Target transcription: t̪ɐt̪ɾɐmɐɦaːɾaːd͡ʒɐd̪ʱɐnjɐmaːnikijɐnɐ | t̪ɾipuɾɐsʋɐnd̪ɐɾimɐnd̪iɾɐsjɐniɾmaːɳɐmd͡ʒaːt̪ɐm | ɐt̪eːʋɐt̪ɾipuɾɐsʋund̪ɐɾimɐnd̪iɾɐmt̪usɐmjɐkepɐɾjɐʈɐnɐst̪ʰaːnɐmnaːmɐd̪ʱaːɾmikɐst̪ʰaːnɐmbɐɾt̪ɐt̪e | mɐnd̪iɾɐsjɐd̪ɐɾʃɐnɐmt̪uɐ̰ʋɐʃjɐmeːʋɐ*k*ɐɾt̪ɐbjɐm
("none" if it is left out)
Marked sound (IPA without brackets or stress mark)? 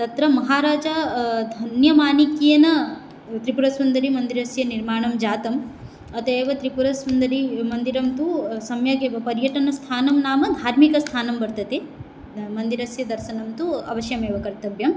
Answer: k